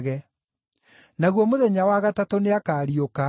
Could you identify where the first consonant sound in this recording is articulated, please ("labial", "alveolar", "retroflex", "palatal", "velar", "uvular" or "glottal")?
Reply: velar